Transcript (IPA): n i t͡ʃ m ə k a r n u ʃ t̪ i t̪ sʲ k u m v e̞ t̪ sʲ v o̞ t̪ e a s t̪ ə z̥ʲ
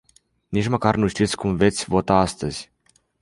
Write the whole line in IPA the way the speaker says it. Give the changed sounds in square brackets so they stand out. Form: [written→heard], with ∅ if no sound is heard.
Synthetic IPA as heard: n i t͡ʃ m ə k a r n u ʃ t̪ i t̪ sʲ k u m v e̞ t̪ sʲ v o̞ t̪ [e→a] a s t̪ ə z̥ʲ